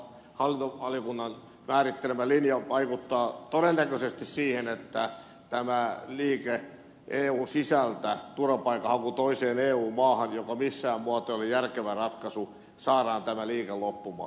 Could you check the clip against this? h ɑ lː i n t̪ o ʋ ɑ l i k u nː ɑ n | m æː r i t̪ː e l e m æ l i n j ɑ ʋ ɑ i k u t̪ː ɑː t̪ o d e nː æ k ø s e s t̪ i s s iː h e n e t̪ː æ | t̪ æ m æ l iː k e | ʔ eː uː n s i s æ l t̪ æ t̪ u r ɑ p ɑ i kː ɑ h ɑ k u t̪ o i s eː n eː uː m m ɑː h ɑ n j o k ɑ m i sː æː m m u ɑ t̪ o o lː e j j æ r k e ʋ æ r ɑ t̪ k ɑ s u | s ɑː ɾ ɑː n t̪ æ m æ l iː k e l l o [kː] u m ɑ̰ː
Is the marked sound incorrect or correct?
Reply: incorrect